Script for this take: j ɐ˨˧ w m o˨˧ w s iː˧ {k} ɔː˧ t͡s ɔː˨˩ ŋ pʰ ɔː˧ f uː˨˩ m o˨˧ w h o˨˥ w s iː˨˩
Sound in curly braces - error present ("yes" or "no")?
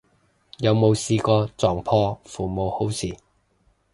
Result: no